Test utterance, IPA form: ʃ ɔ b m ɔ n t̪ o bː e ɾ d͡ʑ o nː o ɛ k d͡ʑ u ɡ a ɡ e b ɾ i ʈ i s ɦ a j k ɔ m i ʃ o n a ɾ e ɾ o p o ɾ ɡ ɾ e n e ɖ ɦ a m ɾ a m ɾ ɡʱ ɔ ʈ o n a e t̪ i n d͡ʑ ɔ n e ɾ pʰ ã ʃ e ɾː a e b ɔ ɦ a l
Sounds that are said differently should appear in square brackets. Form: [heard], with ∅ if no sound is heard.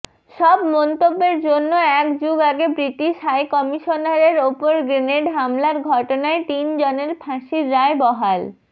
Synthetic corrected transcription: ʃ ɔ b m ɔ n t̪ o bː e ɾ d͡ʑ o nː o ɛ k d͡ʑ u ɡ a ɡ e b ɾ i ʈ i [ʃ] ɦ a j k ɔ m i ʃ o n a ɾ e ɾ o p o ɾ ɡ ɾ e n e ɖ ɦ a m [l] a [∅] ɾ ɡʱ ɔ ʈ o n a e t̪ i n d͡ʑ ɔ n e ɾ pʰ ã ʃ [i] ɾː a e b ɔ ɦ a l